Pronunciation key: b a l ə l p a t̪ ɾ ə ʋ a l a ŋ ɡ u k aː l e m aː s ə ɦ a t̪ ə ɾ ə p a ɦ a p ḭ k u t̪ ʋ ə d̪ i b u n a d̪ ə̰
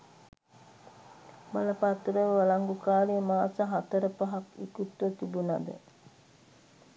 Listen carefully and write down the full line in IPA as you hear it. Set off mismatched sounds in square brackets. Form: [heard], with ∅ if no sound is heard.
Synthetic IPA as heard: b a l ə [∅] p a t̪ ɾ ə ʋ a l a ŋ ɡ u k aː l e m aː s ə ɦ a t̪ ə ɾ ə p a ɦ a [k] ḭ k u t̪ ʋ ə [t̪] i b u n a d̪ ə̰